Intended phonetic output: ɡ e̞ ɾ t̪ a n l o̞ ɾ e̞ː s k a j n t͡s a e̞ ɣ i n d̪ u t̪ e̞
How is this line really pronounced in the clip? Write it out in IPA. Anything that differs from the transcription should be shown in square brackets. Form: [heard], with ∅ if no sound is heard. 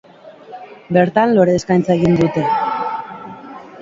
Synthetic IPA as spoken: [b] e̞ ɾ t̪ a n l o̞ ɾ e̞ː s k a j n t͡s a e̞ ɣ i n d̪ u t̪ e̞